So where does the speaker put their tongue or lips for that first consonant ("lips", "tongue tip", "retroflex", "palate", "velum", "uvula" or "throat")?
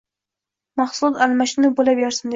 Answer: lips